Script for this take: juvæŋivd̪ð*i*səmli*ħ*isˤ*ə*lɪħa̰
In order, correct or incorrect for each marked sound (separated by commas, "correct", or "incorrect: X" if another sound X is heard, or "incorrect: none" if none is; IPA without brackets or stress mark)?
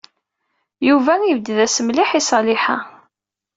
incorrect: æ, correct, incorrect: ɑ